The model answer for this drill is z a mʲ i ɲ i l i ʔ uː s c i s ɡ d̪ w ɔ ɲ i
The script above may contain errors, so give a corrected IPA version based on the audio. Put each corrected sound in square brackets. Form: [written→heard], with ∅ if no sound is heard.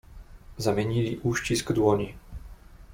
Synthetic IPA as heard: z a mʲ [i→ɛ] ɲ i l i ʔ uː [s→ʃ] c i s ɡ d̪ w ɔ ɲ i